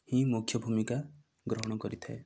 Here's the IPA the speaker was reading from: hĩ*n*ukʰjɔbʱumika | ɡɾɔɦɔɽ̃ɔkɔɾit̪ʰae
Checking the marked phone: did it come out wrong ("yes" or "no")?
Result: yes